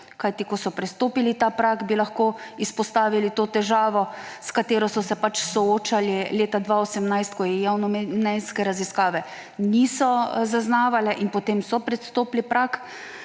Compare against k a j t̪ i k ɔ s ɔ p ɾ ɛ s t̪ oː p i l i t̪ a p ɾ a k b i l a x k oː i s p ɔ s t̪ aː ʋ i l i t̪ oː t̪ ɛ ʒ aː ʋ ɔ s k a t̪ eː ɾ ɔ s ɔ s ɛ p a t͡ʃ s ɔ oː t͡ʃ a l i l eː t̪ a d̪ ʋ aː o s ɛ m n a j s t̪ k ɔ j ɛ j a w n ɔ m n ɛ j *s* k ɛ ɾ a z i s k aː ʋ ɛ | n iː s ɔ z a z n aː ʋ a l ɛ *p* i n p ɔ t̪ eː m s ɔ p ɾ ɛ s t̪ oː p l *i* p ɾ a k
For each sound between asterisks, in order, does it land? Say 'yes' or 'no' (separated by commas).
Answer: yes, no, yes